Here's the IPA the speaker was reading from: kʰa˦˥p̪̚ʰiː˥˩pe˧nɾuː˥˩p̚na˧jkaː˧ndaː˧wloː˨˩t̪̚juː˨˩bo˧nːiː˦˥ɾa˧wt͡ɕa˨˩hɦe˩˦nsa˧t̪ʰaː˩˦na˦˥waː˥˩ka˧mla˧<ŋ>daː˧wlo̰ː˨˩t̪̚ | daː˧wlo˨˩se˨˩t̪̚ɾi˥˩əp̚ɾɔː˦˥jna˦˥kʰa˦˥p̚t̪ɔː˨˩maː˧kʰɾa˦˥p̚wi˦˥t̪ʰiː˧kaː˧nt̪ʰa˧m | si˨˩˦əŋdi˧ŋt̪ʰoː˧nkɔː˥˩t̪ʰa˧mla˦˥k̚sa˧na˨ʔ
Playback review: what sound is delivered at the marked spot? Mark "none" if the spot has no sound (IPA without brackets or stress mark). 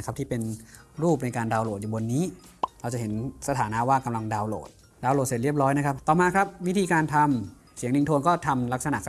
ŋ